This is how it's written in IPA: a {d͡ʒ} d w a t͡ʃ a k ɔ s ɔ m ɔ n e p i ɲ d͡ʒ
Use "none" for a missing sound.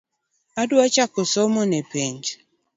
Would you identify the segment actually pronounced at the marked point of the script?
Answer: none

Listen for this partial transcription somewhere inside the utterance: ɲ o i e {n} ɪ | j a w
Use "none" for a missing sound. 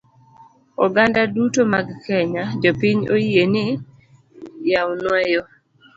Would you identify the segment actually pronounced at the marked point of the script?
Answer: n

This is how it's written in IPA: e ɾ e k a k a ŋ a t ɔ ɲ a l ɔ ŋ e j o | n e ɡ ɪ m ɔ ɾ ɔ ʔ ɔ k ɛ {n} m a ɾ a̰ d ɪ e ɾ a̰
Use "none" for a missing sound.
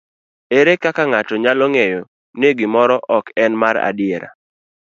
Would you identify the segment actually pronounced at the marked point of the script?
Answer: n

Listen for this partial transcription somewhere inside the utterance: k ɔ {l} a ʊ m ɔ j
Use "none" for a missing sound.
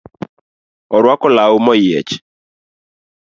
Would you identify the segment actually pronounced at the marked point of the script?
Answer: l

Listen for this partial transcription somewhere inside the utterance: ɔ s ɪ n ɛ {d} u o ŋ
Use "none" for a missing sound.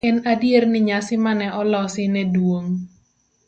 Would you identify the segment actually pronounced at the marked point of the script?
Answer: d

